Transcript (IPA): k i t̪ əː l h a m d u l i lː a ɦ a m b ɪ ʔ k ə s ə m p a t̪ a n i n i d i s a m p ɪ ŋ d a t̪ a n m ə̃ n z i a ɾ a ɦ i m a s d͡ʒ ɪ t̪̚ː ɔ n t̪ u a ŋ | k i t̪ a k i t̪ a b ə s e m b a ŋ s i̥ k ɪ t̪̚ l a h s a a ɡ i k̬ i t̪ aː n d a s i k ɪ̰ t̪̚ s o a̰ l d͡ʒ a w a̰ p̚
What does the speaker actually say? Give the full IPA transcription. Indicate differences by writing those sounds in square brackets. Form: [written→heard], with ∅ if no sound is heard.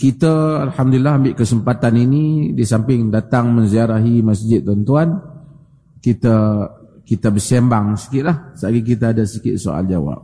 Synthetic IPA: k i t̪ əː l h a m d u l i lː a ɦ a m b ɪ ʔ k ə s ə m p a t̪ a n i n i d i s a m p ɪ ŋ d a t̪ a [n→ŋ] m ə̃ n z i a ɾ a ɦ i m a s d͡ʒ ɪ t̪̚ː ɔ n t̪ u a [ŋ→n] | k i t̪ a k i t̪ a b ə s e m b a ŋ s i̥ k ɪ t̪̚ l a h s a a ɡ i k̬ i t̪ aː [n→∅] d a s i k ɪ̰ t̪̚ s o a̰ l d͡ʒ a w a̰ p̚